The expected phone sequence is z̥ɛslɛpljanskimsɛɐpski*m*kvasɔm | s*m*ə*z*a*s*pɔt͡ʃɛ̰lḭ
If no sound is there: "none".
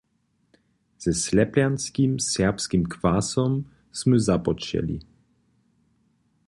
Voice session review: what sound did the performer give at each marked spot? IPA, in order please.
m, m, z, none

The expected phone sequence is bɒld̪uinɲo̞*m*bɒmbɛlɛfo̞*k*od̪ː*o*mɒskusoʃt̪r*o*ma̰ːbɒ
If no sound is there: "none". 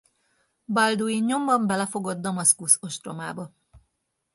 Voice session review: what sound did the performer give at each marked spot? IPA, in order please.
m, ɡ, ɒ, o

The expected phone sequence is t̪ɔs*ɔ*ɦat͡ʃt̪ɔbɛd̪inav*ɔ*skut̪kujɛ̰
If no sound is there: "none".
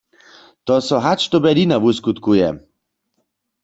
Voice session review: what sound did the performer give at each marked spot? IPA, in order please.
ɔ, u

